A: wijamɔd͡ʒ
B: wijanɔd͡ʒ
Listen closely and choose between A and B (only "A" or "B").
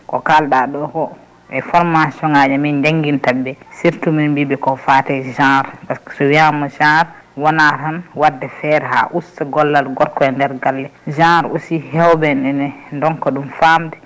A